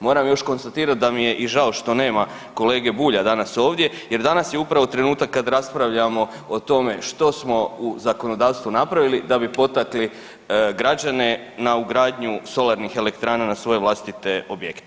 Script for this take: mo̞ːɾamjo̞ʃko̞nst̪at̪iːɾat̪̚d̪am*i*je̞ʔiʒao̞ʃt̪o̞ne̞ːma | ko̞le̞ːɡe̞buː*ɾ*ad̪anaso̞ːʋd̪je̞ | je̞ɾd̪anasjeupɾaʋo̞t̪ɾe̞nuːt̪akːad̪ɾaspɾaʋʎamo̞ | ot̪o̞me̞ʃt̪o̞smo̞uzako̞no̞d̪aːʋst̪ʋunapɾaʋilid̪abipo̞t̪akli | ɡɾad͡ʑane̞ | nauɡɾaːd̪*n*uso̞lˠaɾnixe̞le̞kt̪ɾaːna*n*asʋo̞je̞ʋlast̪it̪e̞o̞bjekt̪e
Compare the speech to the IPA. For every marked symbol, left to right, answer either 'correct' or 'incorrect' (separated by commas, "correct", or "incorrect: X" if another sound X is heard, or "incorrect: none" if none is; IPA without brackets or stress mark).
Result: correct, incorrect: ʎ, incorrect: ɲ, correct